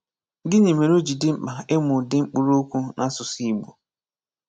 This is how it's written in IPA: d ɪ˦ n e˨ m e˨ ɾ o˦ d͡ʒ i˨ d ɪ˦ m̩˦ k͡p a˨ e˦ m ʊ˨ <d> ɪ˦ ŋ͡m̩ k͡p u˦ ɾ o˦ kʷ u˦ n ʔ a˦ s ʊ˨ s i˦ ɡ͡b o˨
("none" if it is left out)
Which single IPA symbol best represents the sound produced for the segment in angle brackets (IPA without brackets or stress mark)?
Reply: d